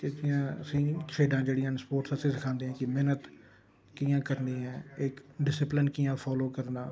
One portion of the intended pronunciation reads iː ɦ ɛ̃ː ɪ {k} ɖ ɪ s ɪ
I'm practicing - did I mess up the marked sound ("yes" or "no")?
no